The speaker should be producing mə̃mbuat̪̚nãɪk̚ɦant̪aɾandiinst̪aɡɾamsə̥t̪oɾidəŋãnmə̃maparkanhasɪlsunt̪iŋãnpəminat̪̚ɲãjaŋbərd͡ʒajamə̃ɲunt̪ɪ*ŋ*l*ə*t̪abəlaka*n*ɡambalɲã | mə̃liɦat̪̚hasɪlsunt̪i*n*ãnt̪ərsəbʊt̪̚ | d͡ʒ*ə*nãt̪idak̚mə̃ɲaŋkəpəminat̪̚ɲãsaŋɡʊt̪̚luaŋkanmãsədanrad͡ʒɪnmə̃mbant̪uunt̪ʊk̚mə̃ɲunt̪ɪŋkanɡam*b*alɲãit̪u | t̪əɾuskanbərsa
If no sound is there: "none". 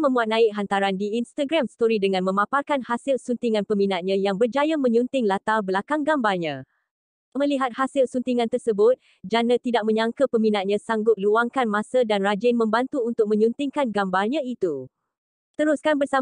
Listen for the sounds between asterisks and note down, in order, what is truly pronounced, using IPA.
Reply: ŋ, a, ŋ, ŋ, a, b

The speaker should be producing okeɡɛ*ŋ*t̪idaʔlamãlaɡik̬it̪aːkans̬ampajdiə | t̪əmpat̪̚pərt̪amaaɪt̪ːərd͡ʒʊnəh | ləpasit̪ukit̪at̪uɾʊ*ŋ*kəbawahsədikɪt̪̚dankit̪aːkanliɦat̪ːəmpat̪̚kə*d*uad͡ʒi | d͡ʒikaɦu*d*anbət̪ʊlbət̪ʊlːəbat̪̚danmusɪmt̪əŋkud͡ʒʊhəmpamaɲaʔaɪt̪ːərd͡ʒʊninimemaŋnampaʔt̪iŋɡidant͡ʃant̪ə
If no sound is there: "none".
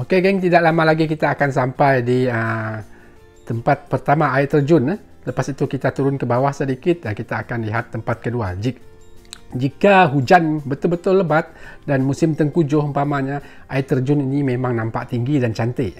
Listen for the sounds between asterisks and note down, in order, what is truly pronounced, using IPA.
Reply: ŋ, n, d, d͡ʒ

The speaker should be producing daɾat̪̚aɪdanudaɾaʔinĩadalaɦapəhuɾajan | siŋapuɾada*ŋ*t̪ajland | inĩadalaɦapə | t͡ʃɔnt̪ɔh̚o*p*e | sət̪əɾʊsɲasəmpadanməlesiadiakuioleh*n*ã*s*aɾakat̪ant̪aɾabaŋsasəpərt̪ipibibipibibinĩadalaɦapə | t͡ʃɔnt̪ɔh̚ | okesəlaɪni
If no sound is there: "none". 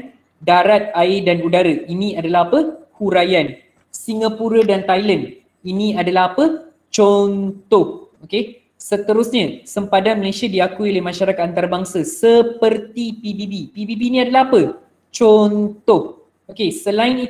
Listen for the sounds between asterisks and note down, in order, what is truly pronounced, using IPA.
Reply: n, k, m, ʃ

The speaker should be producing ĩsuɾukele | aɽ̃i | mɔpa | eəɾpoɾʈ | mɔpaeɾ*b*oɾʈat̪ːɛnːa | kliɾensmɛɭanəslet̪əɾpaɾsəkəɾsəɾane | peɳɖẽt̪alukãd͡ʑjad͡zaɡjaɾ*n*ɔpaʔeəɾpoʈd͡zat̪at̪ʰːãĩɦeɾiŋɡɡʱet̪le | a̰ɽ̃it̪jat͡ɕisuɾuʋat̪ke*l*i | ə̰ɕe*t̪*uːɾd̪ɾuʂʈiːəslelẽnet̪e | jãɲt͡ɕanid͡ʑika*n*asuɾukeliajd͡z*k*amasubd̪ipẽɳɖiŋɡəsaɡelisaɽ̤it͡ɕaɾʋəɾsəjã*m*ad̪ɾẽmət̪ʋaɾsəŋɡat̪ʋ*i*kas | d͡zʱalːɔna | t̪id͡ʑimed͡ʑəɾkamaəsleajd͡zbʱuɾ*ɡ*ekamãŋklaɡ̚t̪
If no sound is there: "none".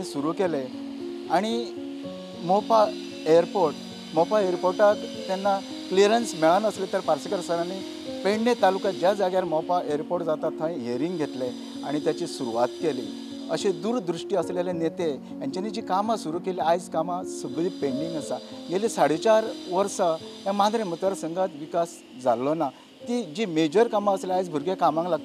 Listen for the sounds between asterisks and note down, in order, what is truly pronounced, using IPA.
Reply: p, m, l, d̪, m, k, m, i, ɡ

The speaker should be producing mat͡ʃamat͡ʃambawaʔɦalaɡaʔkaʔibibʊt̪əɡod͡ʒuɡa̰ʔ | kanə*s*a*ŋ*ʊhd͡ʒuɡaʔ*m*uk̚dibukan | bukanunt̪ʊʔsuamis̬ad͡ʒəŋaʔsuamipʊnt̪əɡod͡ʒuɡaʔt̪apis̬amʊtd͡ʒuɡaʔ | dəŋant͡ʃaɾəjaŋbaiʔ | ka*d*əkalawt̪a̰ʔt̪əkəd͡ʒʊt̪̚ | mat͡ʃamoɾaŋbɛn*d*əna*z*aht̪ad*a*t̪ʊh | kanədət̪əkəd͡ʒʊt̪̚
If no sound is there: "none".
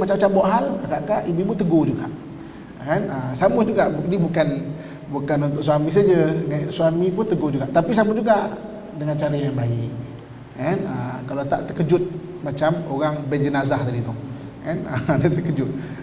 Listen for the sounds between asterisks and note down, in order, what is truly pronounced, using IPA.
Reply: s, m, b, n, d͡ʒ, z, i

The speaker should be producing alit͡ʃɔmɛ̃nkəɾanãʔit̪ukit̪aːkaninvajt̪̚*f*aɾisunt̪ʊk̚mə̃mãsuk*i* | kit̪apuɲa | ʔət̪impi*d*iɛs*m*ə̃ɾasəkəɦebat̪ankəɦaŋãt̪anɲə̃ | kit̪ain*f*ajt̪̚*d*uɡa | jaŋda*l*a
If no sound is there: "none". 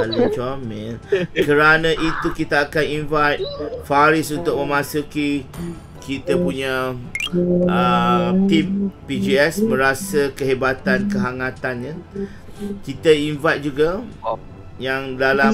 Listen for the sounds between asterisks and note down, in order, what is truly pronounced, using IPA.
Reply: f, i, d͡ʒ, m, v, d͡ʒ, l

